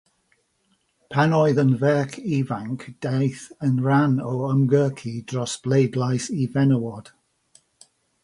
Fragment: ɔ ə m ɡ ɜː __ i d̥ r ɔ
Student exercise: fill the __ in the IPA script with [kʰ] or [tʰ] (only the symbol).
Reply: kʰ